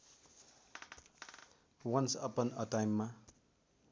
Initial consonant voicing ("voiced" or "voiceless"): voiced